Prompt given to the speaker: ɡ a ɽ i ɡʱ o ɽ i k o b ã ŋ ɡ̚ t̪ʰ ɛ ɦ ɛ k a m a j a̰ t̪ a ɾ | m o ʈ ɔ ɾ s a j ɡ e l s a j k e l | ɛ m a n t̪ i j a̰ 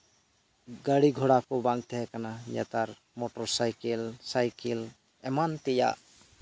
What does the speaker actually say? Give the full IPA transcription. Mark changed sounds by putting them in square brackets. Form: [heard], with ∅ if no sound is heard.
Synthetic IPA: ɡ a ɽ i ɡʱ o ɽ [a] k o b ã ŋ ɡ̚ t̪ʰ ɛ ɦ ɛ k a [n] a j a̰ t̪ a ɾ | m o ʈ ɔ ɾ s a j [k] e l s a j k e l | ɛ m a n t̪ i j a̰

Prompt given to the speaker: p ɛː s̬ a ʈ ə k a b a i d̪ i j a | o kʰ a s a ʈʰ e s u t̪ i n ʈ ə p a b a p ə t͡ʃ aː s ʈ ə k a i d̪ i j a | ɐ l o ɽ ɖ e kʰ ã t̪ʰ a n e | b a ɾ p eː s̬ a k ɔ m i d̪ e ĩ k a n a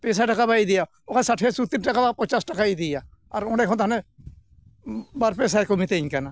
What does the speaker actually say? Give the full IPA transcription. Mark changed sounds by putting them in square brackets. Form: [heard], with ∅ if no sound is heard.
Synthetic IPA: p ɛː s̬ a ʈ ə k a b a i d̪ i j a | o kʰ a s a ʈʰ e s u t̪ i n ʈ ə [k] a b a p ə t͡ʃ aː s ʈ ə k a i d̪ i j a | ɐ [ɾ] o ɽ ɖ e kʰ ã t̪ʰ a n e | b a ɾ p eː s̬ a k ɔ m i [t̪] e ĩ k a n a

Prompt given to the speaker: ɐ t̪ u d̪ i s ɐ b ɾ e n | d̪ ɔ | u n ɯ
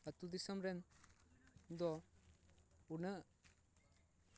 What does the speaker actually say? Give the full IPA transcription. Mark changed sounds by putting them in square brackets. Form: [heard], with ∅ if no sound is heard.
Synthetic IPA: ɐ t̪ u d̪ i s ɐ [m] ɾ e n | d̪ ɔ | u n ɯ

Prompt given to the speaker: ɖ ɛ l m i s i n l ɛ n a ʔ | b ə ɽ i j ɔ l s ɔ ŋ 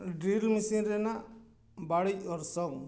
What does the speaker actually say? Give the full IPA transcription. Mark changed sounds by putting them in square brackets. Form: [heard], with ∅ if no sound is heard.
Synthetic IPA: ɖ [i] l m i s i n [ɾ] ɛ n a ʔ | b [a] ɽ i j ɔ [ɾ] s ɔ ŋ

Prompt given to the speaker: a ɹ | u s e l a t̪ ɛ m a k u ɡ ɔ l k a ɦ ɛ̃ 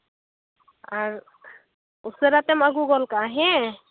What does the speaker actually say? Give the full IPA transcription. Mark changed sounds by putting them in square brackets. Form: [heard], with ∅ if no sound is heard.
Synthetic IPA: a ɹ | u s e [ɾ] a t̪ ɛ m a [ɡ] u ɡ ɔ l k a ɦ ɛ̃

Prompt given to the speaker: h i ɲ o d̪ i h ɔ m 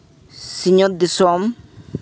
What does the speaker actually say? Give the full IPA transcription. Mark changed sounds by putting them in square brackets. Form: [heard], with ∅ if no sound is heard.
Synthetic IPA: [s] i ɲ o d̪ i [s] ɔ m

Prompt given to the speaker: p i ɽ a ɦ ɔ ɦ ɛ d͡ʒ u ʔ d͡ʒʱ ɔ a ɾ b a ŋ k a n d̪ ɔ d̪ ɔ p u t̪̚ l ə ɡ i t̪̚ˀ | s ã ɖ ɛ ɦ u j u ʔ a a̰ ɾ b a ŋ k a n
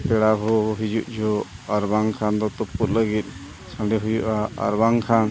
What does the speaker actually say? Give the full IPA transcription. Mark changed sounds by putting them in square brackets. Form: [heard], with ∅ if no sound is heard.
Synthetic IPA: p [ɛ] ɽ a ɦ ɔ ɦ [i] d͡ʒ u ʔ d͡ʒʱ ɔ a ɾ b a ŋ [kʰ] a n d̪ ɔ [t̪] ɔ p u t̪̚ l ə ɡ i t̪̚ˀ | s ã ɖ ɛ ɦ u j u ʔ a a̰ ɾ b a ŋ [kʰ] a n

